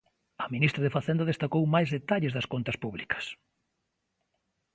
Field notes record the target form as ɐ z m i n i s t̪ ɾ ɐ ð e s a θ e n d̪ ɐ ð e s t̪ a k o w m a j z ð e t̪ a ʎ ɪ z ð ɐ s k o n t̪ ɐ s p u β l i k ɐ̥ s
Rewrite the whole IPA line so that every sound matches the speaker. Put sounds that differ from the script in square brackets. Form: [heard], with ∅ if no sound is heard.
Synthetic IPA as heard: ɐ [∅] m i n i s t̪ ɾ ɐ ð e [f] a θ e n d̪ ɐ ð e s t̪ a k o w m a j z ð e t̪ a ʎ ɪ z ð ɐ s k o n t̪ ɐ s p u β l i k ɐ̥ s